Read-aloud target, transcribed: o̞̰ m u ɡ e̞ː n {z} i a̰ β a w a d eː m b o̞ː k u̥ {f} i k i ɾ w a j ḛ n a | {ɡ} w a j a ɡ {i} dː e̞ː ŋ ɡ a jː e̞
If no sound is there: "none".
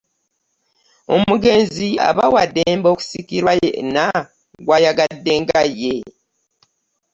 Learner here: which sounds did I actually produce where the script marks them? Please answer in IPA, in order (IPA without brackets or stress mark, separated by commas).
z, s, ɡ, a